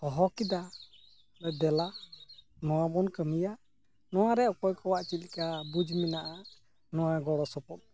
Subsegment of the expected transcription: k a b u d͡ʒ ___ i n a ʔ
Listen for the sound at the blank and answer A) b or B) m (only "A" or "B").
B